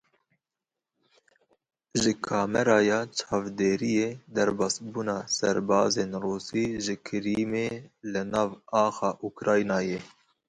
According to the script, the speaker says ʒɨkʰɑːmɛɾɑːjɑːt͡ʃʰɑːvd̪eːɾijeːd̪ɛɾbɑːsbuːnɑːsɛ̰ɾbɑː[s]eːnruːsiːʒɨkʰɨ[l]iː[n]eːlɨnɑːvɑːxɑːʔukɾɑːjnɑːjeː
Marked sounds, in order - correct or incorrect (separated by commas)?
incorrect, incorrect, incorrect